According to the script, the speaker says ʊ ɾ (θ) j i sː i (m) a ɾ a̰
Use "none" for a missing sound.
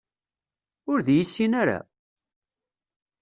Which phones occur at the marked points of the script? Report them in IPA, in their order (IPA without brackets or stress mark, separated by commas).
ð, n